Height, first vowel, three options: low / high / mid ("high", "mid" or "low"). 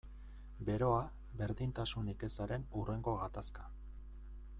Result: mid